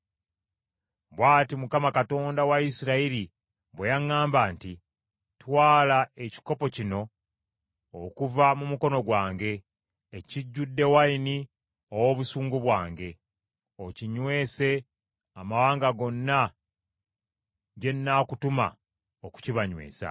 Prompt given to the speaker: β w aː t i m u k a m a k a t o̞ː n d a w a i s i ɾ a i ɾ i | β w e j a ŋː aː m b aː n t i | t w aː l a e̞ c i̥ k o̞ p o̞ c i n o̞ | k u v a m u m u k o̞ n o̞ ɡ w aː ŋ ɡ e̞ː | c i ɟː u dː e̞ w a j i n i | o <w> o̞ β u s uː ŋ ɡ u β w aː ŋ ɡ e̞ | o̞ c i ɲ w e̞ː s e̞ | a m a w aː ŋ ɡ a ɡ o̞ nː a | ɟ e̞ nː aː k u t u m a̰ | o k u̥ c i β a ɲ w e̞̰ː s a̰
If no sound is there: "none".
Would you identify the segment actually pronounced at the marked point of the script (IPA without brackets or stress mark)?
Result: w